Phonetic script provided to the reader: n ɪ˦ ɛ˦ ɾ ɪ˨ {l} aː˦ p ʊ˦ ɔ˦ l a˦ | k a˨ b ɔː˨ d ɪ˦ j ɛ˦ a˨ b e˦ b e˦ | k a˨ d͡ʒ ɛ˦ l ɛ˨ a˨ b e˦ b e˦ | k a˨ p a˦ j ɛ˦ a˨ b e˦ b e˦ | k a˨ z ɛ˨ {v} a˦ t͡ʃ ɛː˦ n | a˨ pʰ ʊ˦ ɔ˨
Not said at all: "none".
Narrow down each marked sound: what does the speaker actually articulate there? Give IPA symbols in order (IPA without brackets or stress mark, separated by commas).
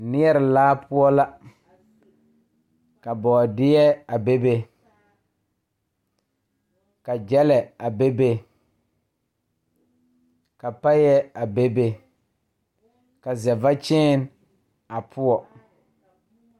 l, v